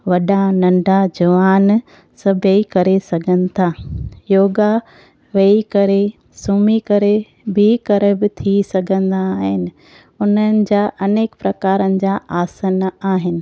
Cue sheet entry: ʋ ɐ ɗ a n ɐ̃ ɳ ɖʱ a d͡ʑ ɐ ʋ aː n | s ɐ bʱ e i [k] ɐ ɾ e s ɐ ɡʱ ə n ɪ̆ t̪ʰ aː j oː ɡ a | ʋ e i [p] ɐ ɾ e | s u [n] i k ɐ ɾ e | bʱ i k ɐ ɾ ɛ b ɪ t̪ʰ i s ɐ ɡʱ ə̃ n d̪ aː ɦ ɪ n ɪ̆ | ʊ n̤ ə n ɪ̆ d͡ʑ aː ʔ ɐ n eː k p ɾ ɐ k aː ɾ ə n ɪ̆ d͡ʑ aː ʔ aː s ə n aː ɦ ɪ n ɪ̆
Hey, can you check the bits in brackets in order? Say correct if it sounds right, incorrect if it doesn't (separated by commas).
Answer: correct, incorrect, incorrect